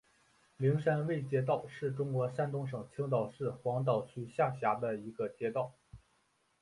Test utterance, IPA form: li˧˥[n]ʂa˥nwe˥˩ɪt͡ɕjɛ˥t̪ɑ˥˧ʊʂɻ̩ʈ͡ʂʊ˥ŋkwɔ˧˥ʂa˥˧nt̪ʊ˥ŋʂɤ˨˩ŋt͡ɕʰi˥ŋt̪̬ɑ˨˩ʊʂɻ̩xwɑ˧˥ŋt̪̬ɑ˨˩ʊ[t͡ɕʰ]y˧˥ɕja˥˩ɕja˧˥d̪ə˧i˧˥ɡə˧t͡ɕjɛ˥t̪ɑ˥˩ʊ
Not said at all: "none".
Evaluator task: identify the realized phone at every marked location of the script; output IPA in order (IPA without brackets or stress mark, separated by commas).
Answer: ŋ, t͡ɕʰ